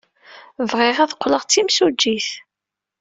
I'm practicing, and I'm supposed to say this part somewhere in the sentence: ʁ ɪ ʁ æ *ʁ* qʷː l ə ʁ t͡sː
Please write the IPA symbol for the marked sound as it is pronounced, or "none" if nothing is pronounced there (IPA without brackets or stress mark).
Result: ð